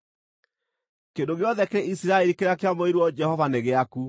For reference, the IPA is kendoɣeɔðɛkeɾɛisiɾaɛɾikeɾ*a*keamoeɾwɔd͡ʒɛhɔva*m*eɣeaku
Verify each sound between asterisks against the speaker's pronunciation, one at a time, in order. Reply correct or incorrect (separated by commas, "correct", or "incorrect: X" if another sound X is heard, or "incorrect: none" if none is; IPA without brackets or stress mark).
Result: correct, incorrect: n